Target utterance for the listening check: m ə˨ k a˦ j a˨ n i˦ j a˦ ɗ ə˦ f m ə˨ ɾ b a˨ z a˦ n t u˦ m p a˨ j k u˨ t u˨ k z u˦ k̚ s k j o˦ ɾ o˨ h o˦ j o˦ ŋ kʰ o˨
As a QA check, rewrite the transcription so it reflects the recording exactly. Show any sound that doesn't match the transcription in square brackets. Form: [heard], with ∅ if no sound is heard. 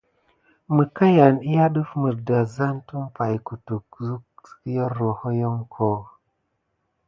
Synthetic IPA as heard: m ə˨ k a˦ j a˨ n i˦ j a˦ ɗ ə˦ f m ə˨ ɾ [d] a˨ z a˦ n t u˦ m p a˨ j k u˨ t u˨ k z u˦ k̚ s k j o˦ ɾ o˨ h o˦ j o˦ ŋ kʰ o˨